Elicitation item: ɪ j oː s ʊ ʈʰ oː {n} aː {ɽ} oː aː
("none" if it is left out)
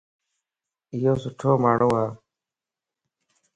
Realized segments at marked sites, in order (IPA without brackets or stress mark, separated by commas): m, ɽ